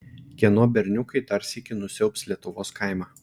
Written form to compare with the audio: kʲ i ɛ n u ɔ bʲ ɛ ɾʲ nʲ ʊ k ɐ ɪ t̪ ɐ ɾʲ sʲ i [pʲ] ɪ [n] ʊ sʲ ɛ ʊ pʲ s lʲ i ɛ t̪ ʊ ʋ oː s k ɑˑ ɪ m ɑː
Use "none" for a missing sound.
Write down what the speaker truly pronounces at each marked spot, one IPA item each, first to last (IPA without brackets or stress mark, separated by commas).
kʲ, n